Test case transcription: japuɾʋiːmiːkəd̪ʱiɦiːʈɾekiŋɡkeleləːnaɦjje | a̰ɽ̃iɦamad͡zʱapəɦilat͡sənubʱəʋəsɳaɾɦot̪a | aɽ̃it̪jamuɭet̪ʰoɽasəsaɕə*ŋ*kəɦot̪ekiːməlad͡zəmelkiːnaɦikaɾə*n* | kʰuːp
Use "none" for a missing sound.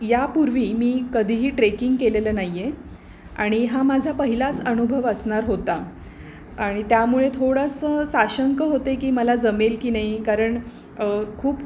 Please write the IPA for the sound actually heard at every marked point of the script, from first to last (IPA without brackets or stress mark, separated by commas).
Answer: ŋ, ɳ